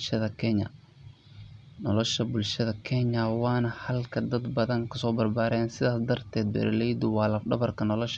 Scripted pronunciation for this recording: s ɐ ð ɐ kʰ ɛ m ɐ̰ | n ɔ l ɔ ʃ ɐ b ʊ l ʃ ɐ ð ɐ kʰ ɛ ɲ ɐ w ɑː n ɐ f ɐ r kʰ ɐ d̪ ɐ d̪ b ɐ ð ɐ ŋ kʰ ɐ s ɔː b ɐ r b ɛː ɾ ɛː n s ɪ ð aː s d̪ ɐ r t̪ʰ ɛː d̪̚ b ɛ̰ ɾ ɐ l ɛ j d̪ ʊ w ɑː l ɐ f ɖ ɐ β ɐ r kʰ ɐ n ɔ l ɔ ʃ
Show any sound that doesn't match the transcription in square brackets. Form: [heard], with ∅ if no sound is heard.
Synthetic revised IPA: [ʃ] ɐ ð ɐ kʰ ɛ [ɲ] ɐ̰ | n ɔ l ɔ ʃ ɐ b ʊ l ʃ ɐ ð ɐ kʰ ɛ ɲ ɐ w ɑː n ɐ [h] ɐ [l] kʰ ɐ d̪ ɐ d̪ b ɐ ð ɐ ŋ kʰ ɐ s ɔː b ɐ r b [aː] ɾ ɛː n s ɪ ð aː s d̪ ɐ r t̪ʰ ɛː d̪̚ b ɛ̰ ɾ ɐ l ɛ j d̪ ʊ w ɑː l ɐ f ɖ ɐ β ɐ r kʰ ɐ n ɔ l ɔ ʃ